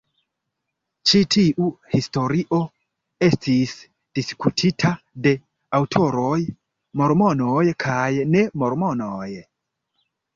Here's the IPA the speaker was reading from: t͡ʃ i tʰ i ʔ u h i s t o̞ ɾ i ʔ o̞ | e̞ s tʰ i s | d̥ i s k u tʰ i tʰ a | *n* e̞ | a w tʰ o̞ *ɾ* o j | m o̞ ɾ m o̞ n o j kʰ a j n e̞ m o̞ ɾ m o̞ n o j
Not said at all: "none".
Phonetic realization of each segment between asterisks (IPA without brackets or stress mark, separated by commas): d, ɾ